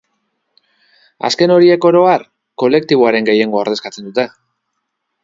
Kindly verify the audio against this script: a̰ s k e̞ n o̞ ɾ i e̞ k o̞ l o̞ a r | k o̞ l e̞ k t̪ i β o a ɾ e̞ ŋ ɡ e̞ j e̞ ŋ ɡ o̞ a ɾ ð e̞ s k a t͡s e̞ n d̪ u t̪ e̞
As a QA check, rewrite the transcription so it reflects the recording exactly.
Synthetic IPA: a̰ s k e̞ n o̞ ɾ i e̞ k o̞ ɾ o̞ a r | k o̞ l e̞ k t̪ i β o a ɾ e̞ ŋ ɡ e̞ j e̞ ŋ ɡ o̞ a ɾ ð e̞ s k a t͡s e̞ n d̪ u t̪ e̞